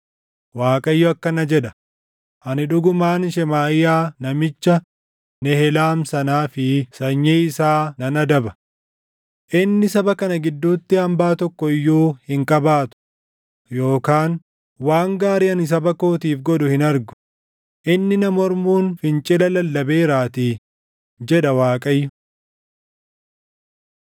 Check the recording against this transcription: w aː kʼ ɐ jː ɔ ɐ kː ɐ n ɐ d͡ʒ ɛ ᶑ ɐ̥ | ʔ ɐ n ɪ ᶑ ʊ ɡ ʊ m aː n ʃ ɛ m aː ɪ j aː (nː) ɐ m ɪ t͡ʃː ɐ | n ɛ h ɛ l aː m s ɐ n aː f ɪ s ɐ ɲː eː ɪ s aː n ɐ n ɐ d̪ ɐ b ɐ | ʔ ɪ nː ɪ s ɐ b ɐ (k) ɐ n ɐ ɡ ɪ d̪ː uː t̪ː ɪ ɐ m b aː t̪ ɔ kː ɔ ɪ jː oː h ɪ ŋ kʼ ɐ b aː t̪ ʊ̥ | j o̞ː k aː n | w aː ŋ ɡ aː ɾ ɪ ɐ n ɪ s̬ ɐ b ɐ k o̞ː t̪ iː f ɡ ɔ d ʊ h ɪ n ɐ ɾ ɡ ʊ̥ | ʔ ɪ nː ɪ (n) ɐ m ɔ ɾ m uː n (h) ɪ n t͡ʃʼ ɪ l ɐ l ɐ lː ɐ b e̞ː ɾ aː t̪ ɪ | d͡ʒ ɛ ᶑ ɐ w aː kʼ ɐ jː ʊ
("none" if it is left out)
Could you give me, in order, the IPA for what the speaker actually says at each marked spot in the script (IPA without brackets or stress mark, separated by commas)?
n, k, n, f